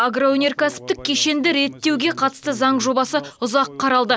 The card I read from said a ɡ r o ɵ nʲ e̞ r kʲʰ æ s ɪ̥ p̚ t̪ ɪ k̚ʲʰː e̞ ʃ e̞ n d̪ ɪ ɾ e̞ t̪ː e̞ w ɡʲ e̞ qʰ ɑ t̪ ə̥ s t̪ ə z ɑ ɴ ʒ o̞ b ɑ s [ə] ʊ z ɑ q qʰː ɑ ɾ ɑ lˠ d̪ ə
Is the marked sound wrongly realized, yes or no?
no